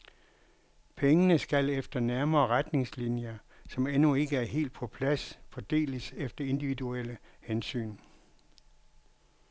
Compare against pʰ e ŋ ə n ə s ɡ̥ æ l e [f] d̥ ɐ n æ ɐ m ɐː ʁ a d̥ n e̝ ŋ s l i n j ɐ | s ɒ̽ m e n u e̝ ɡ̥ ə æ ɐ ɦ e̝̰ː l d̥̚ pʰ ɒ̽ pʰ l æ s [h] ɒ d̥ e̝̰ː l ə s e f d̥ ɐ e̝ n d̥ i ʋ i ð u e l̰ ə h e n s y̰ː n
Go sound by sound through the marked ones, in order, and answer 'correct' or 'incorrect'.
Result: correct, incorrect: f

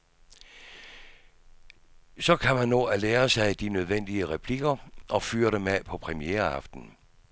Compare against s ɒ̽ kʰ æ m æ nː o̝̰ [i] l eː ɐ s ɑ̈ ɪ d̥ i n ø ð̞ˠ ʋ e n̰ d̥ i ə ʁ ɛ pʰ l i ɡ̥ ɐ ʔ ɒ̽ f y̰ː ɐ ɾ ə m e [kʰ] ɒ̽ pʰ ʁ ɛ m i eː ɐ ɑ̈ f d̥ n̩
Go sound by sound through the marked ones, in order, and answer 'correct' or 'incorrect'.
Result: incorrect: æ, incorrect: pʰ

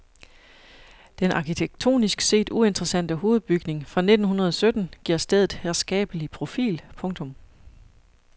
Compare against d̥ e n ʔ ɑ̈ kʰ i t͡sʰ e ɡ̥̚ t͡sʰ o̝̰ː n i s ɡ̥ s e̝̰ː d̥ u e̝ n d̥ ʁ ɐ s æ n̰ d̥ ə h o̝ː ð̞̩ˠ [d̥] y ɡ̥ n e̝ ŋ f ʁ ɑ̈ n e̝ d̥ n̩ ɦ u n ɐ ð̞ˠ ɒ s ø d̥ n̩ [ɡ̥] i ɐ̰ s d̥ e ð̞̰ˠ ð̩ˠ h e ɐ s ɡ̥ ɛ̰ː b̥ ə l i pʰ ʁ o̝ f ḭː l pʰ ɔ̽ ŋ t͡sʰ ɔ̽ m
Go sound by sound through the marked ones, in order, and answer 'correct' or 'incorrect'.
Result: incorrect: b̥, correct

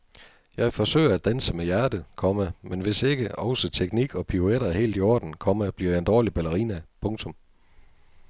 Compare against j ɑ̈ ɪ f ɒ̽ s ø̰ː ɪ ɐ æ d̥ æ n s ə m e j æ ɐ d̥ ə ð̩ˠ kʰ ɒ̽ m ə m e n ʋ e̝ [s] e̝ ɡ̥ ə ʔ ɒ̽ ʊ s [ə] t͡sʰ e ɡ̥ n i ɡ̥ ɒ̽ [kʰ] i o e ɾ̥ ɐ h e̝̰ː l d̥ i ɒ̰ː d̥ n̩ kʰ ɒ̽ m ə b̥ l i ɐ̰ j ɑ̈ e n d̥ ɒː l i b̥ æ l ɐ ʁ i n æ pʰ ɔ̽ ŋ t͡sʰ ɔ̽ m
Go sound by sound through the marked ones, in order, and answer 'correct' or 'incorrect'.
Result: correct, correct, incorrect: pʰ

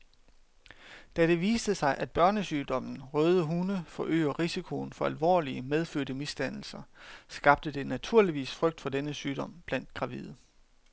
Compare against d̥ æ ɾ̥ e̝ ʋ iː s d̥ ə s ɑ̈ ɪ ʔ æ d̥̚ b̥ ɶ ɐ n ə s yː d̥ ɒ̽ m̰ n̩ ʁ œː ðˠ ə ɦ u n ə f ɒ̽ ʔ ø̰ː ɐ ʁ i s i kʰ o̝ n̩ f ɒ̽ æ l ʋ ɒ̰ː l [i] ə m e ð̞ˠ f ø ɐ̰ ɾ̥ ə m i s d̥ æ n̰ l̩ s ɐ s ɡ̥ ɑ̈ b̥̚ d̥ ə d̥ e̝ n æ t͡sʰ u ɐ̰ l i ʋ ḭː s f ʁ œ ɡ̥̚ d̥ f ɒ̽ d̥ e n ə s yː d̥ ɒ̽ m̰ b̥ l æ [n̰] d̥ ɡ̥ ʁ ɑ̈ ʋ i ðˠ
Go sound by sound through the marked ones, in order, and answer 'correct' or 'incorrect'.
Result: correct, correct

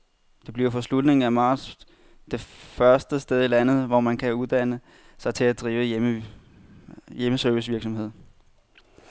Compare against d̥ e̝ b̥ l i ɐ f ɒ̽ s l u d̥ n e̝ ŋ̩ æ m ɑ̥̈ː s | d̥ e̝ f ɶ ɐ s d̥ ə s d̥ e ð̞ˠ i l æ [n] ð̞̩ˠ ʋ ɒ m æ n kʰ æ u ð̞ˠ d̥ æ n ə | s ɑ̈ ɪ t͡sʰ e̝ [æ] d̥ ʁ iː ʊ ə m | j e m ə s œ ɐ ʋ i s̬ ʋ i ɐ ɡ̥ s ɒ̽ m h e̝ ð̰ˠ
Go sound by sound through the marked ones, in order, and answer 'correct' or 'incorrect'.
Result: correct, correct

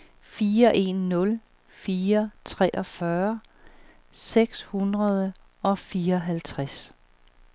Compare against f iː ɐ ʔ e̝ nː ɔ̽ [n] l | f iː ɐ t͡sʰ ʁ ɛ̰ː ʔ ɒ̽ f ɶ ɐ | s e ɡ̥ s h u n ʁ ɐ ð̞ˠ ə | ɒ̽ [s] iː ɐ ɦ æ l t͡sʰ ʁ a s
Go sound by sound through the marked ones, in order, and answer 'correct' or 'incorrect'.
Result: incorrect: none, incorrect: f

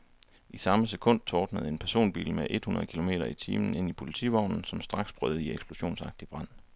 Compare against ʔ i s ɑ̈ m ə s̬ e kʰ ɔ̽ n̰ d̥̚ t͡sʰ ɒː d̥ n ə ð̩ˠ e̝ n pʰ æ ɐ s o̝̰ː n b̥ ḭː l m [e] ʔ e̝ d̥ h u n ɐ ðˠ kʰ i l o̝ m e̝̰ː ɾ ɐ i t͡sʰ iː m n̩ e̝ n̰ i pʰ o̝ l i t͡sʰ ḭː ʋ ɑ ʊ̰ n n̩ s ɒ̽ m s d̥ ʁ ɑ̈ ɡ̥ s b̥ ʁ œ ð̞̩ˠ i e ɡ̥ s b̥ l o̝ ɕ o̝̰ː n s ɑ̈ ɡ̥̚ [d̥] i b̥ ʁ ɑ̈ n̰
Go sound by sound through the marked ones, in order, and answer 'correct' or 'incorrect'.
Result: correct, correct

